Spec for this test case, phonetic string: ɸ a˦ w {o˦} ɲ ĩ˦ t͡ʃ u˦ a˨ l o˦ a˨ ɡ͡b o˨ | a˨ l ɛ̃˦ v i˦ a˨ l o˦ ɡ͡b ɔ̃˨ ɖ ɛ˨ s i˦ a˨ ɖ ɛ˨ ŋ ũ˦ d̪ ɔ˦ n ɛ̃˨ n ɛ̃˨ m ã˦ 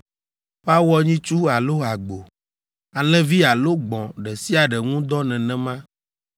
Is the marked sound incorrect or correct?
incorrect